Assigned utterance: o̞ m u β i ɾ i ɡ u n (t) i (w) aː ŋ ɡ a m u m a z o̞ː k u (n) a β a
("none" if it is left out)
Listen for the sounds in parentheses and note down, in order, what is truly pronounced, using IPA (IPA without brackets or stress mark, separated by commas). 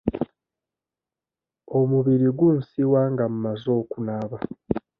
s, w, n